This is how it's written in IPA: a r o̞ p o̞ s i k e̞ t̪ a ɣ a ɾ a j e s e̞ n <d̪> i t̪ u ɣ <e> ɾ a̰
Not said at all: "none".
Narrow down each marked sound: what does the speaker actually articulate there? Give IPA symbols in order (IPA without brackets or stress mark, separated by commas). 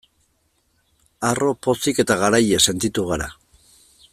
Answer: t̪, a